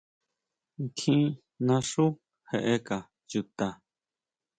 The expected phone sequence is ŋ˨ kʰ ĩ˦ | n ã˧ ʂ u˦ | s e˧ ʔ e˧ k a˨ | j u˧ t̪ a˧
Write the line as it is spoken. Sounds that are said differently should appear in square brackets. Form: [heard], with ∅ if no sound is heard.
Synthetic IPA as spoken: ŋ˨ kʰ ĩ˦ | n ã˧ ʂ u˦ | [h] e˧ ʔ e˧ k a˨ | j u˧ t̪ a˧